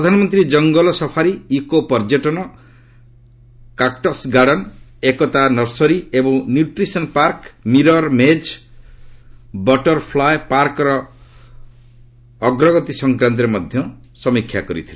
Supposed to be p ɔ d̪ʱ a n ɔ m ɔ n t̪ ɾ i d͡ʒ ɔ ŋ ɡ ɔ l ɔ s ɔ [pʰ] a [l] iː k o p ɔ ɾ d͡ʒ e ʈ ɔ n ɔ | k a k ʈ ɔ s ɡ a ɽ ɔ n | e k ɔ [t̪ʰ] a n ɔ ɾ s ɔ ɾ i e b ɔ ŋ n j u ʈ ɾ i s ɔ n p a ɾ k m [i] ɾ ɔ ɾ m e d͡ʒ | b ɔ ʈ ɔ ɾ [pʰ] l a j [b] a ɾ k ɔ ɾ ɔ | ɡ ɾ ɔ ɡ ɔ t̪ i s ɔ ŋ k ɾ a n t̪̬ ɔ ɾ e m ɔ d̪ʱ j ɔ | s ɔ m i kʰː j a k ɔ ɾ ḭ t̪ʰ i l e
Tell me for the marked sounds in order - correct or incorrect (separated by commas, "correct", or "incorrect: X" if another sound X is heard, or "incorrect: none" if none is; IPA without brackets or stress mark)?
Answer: correct, incorrect: ɾ, incorrect: t̪, correct, correct, incorrect: p